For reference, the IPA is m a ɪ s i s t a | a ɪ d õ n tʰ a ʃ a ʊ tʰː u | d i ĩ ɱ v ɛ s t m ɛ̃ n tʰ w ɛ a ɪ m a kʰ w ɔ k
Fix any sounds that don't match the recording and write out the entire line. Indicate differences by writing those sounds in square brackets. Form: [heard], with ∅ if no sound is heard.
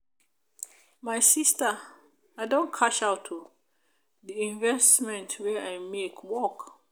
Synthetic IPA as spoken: m a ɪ s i s t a | a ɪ d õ n [kʰ] a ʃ a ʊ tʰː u | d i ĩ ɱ v ɛ s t m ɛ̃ n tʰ w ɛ a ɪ m [e] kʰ w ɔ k